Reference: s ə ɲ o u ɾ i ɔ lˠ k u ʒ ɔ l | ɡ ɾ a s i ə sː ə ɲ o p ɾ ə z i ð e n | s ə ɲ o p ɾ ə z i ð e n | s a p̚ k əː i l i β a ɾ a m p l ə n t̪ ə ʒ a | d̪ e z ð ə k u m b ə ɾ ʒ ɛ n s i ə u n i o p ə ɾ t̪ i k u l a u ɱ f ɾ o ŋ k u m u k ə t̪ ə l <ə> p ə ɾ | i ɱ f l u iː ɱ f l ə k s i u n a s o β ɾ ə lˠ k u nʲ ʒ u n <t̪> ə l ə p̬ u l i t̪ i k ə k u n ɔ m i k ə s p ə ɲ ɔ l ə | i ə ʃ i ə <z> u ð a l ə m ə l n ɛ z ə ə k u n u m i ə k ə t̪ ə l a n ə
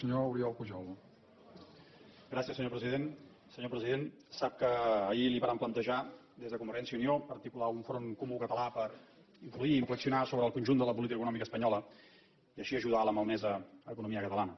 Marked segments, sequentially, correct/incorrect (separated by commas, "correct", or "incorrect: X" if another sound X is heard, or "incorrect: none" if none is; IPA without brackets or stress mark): incorrect: a, incorrect: d̪, incorrect: ʒ